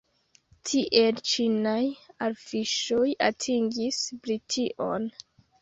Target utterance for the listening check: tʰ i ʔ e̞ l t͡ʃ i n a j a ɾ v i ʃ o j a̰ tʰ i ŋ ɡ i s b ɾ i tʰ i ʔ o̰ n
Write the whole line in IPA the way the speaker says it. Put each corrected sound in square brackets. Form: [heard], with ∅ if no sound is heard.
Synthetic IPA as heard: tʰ i ʔ e̞ l t͡ʃ i n a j a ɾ [f] i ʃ o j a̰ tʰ i ŋ ɡ i s b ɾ i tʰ i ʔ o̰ n